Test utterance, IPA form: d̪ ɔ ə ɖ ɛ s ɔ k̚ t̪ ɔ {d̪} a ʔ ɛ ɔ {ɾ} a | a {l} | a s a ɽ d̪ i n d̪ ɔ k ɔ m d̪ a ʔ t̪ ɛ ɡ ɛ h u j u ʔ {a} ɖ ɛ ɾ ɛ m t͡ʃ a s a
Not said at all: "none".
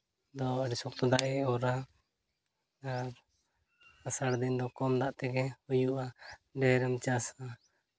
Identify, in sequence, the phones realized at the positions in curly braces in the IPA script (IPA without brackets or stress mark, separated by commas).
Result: d̪, ɾ, ɾ, a